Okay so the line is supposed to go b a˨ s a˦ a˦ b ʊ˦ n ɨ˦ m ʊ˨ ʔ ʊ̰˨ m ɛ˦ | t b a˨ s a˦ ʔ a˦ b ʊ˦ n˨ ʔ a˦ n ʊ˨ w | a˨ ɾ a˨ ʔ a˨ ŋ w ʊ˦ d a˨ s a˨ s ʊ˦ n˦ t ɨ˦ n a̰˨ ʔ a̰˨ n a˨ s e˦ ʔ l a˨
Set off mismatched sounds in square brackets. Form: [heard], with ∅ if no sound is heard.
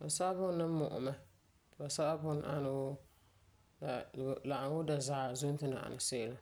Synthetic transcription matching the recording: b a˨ s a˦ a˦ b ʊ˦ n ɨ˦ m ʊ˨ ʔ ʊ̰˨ m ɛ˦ | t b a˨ s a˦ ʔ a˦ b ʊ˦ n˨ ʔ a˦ n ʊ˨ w | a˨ [l] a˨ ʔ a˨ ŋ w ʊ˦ d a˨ [z] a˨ [z] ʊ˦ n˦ t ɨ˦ n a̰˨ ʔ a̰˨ n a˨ s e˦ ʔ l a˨